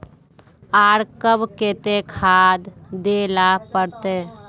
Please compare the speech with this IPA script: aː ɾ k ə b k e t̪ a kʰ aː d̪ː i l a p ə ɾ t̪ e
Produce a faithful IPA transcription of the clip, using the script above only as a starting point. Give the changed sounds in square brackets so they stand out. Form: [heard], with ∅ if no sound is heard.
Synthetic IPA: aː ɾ k ə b k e t̪ [e] kʰ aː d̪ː [e] l a p ə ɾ t̪ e